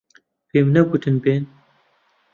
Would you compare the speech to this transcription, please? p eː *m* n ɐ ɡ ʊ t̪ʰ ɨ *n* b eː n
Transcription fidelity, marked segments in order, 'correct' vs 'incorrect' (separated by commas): correct, correct